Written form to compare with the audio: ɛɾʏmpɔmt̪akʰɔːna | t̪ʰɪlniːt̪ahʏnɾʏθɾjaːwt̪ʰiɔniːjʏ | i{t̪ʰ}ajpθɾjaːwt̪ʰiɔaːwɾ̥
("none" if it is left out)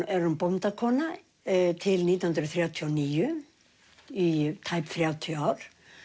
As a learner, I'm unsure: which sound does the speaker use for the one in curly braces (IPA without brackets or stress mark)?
t̪ʰ